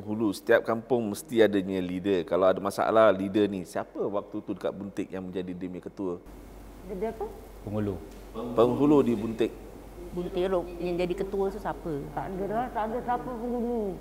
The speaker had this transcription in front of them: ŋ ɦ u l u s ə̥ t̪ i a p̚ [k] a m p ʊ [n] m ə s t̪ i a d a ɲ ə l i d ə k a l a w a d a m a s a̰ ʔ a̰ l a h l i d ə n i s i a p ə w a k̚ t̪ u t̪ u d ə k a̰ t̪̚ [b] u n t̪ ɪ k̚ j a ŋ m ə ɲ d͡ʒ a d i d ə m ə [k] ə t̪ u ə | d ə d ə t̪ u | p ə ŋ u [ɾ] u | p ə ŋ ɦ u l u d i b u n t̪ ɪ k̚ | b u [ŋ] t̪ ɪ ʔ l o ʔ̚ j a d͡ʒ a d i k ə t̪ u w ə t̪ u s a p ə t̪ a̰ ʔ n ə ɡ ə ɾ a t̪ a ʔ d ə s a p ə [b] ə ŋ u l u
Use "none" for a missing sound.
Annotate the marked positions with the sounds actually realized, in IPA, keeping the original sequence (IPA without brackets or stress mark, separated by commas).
k, ŋ, b, k, l, n, p